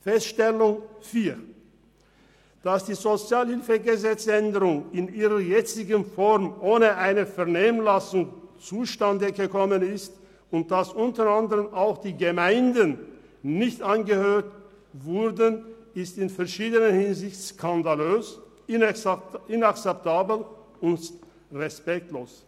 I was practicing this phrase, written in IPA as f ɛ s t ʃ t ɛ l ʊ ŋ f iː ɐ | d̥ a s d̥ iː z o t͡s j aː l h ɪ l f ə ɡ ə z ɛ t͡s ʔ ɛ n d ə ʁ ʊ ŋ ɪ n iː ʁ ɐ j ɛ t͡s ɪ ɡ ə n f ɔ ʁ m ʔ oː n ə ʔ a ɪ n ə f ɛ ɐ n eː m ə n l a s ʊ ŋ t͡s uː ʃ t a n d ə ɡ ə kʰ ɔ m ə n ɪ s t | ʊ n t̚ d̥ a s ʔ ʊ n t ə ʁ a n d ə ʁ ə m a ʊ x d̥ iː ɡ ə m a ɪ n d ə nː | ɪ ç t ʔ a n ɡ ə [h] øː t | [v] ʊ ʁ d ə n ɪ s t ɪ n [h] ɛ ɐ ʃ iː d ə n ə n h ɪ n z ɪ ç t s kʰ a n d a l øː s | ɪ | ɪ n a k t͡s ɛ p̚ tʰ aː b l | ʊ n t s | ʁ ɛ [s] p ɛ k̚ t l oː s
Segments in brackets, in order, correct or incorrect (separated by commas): correct, correct, incorrect, correct